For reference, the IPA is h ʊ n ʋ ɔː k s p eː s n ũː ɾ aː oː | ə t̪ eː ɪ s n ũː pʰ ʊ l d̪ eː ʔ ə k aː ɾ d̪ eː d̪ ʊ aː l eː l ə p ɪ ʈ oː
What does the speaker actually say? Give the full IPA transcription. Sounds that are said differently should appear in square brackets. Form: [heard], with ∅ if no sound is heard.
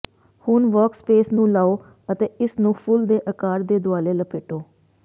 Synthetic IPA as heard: h ʊ n ʋ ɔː k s p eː s n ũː [l] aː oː | ə t̪ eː ɪ s n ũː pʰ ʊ l d̪ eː ʔ ə k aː ɾ d̪ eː d̪ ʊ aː l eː l ə p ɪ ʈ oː